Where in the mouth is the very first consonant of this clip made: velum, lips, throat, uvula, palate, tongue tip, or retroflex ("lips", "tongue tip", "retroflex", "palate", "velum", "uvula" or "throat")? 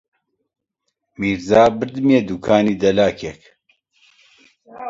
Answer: lips